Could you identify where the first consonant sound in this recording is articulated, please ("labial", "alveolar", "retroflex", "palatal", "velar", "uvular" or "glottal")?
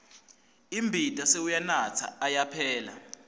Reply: labial